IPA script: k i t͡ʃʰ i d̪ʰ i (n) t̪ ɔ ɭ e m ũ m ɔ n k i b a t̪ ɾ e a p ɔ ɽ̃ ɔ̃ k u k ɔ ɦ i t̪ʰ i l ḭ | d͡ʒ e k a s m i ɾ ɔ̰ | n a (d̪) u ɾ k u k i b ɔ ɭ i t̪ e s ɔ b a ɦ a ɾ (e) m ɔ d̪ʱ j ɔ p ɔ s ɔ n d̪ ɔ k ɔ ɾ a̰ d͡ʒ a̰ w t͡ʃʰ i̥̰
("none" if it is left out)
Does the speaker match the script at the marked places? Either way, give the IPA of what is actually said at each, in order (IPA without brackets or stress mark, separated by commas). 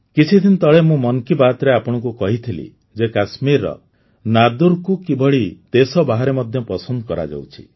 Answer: n, d̪, e